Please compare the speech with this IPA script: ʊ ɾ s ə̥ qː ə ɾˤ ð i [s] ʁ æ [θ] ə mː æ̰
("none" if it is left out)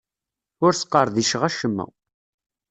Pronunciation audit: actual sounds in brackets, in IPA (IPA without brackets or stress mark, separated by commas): ʃ, ʃ